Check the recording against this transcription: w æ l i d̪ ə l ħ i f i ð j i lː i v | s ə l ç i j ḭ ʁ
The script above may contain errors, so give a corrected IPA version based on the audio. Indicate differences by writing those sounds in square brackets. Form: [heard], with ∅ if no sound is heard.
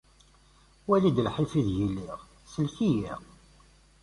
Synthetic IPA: w æ l i d̪ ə l ħ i f i ð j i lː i [ʁ] | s ə l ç i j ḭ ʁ